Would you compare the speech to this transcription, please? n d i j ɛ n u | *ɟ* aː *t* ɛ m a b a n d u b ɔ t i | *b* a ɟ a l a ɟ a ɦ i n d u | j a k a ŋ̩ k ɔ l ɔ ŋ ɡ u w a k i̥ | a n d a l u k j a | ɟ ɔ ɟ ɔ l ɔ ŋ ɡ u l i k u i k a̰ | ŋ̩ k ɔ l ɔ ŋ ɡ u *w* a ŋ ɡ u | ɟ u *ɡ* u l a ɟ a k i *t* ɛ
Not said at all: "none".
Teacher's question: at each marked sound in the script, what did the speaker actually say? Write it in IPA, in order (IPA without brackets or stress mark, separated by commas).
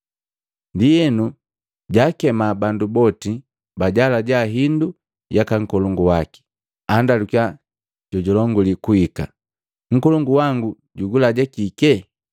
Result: ɟ, k, b, w, ɡ, k